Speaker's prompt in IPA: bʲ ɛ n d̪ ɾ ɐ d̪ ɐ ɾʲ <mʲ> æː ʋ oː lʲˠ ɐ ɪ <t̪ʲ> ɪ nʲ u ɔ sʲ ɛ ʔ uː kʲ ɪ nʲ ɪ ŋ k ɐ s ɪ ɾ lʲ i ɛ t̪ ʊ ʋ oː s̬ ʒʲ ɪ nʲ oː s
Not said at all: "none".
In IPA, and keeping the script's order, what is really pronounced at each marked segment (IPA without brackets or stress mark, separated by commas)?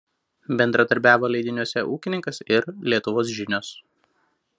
bʲ, d̪ʲ